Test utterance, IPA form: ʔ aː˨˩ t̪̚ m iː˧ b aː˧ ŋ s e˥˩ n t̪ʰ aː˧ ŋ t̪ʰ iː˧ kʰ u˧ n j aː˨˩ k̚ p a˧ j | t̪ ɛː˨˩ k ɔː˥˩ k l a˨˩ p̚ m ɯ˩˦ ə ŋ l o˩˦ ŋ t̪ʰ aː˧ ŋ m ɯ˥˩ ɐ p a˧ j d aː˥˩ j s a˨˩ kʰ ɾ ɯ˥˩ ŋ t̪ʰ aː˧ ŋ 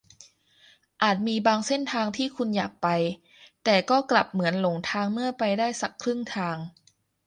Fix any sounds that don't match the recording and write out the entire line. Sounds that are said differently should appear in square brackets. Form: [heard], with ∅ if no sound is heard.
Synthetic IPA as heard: ʔ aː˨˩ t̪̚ m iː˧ b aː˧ ŋ s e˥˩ n t̪ʰ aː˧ ŋ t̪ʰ [iː˥˩] kʰ u˧ n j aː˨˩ k̚ p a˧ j | t̪ ɛː˨˩ k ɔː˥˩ k l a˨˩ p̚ m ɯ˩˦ ə [n] l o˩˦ ŋ t̪ʰ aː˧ ŋ m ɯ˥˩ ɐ p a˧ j d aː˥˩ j s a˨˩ kʰ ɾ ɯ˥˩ ŋ t̪ʰ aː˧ ŋ